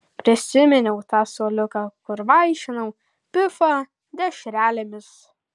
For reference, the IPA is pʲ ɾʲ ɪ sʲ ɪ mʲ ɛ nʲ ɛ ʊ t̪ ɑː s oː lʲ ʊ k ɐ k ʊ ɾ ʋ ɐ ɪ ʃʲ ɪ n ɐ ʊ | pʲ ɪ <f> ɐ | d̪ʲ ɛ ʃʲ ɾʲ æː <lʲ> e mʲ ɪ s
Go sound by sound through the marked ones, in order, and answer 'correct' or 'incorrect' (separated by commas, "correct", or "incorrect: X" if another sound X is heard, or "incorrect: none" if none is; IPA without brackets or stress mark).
correct, correct